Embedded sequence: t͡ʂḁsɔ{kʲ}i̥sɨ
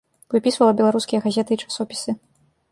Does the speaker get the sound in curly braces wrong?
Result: yes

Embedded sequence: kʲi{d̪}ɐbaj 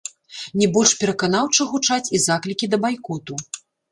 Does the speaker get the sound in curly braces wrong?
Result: no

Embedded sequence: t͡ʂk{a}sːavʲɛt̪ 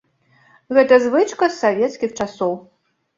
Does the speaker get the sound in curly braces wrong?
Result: yes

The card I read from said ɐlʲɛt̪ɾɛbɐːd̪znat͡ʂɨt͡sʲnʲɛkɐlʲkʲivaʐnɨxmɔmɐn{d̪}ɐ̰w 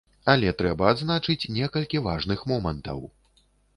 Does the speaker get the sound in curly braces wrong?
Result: yes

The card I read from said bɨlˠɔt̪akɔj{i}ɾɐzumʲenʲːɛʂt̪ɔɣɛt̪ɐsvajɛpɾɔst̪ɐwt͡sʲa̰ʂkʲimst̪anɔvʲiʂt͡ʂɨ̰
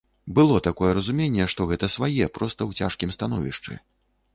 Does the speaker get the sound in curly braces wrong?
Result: yes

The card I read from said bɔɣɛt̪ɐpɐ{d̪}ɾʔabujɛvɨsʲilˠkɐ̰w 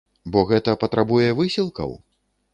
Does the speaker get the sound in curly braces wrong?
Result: yes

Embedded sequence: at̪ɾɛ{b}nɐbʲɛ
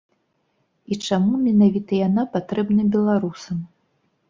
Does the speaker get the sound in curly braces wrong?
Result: no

